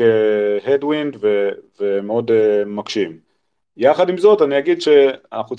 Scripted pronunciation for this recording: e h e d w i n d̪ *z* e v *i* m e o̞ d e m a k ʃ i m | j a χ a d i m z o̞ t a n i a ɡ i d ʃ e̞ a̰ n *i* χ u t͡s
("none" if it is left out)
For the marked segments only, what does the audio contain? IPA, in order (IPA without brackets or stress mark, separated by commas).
v, e, a